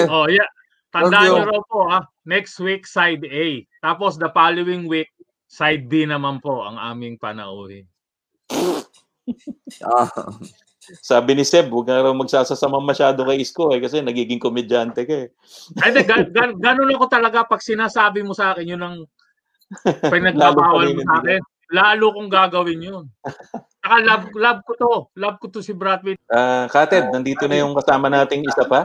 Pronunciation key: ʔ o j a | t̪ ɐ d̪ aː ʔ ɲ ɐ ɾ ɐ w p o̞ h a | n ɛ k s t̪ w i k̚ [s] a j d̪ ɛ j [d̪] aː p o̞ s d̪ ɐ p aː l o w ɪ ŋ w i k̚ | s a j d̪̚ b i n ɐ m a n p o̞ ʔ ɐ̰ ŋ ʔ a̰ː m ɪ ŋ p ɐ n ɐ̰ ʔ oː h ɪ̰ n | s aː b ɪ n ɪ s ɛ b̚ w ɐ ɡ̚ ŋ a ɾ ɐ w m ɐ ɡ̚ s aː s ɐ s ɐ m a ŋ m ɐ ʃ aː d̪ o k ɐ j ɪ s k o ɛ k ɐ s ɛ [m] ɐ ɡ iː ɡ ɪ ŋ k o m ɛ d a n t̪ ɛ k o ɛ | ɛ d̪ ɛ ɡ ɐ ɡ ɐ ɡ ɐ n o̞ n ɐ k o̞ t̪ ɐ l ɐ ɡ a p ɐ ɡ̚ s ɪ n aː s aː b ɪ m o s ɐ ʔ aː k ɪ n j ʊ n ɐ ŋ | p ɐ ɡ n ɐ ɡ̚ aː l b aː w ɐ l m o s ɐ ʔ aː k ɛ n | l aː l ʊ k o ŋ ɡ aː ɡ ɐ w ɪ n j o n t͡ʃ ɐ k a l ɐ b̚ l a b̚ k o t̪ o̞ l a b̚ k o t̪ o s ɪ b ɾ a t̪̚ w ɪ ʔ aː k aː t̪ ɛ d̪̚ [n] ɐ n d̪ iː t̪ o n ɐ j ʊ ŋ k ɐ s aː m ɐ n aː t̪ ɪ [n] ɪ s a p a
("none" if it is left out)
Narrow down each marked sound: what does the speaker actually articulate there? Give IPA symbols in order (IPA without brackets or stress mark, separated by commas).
s, t̪, n, n, ŋ